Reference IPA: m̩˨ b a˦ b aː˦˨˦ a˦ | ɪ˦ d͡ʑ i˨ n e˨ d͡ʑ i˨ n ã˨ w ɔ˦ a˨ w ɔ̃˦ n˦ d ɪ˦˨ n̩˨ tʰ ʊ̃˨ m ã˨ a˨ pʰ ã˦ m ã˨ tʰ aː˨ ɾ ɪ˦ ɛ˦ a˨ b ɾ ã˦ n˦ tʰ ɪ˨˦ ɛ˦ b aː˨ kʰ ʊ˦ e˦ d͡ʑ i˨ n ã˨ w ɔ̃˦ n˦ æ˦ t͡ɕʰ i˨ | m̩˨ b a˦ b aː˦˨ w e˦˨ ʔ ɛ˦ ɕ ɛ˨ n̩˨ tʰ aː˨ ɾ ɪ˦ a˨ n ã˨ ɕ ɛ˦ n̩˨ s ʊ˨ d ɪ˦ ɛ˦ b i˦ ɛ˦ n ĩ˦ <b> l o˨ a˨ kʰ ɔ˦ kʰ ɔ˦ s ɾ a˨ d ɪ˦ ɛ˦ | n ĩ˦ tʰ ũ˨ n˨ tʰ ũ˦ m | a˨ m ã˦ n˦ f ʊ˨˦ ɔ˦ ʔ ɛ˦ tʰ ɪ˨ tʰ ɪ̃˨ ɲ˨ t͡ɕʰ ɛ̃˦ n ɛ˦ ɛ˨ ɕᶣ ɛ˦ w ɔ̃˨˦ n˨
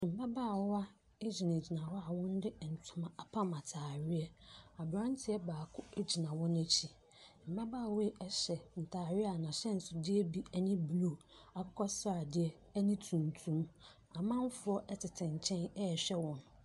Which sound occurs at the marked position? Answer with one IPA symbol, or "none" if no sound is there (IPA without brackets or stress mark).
b